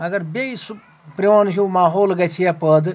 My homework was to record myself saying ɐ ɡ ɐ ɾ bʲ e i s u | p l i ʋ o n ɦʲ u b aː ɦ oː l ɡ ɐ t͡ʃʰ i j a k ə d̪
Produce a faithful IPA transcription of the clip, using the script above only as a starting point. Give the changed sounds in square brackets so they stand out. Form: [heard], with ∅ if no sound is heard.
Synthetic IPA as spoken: ɐ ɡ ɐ ɾ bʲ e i s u | p [ɾ] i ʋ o n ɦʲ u [m] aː ɦ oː l ɡ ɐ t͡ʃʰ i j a [p] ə d̪